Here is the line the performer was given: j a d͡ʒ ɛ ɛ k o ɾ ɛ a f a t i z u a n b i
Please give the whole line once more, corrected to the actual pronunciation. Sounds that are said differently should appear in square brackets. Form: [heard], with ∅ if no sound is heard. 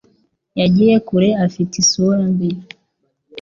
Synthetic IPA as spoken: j a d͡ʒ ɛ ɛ k [u] ɾ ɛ a f [i] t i [s] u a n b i